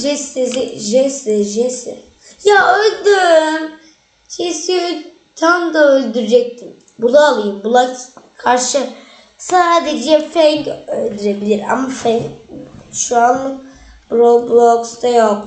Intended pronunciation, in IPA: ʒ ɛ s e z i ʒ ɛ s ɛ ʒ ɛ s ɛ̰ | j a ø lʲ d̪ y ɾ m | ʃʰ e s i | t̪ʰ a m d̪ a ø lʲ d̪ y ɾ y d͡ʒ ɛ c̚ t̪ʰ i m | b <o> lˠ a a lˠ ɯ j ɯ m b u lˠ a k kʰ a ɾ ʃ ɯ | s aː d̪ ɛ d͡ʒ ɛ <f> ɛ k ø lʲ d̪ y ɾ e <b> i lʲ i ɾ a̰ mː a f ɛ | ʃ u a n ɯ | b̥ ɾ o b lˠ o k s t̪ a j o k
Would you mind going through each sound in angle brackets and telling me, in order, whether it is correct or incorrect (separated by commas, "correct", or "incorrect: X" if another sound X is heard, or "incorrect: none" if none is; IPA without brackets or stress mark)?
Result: incorrect: u, correct, correct